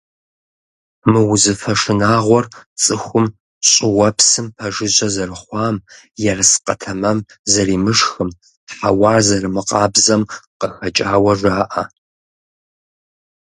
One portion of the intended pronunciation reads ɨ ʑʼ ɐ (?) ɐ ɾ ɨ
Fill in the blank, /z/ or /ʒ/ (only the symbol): z